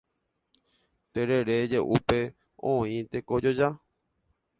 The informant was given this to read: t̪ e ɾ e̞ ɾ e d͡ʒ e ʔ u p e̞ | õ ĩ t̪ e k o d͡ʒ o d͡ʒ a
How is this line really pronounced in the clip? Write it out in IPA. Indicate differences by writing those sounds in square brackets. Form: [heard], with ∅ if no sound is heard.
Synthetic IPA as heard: t̪ e ɾ e̞ ɾ e d͡ʒ e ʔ u p e̞ | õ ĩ t̪ e k o d͡ʒ o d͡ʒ a